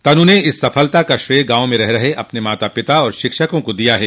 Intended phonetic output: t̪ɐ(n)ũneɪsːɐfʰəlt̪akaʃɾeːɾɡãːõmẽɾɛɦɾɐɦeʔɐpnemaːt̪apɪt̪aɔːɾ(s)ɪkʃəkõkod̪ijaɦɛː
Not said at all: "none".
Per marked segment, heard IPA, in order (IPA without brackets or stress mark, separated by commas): n, ʃ